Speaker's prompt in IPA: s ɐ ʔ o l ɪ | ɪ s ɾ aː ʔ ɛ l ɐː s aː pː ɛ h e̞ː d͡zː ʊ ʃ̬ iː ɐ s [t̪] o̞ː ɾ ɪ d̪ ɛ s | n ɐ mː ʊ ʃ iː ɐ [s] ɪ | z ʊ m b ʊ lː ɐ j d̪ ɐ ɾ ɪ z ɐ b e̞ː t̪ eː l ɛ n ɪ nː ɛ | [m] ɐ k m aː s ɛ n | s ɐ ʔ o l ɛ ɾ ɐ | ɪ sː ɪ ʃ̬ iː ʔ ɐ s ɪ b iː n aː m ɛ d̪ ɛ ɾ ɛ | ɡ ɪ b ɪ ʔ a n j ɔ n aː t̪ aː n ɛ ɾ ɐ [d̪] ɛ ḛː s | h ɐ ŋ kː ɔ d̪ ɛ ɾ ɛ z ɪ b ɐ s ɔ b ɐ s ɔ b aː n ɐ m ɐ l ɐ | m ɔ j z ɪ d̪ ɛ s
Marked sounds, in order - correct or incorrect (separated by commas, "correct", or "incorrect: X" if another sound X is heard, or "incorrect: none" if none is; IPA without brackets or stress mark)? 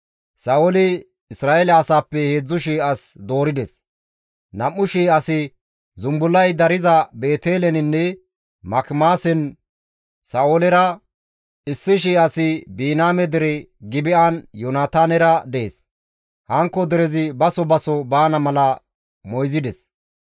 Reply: incorrect: d̪, correct, correct, correct